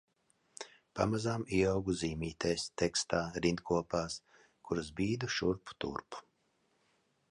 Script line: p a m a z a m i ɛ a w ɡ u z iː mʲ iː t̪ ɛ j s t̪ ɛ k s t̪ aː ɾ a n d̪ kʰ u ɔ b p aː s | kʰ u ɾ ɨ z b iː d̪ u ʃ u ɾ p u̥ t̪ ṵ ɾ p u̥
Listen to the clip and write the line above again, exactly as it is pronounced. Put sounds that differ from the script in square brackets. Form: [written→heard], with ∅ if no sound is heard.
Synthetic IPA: p a m a z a m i ɛ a w ɡ u z iː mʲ iː t̪ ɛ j s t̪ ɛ k s t̪ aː ɾ [a→i] n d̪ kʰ u ɔ [b→∅] p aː s | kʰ u ɾ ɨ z b iː d̪ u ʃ u ɾ p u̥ t̪ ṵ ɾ p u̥